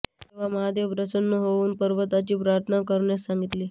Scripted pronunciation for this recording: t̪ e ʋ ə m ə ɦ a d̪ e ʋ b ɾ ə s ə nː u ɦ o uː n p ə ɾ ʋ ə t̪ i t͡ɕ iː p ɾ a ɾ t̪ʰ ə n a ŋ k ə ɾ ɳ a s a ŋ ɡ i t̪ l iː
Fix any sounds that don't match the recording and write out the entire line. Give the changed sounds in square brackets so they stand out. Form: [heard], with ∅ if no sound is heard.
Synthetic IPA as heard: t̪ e ʋ [a] m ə ɦ a d̪ e ʋ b ɾ ə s ə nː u ɦ o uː n p ə ɾ ʋ ə t̪ [a] t͡ɕ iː p ɾ a ɾ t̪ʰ ə n a [∅] k ə ɾ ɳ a s a ŋ ɡ i t̪ l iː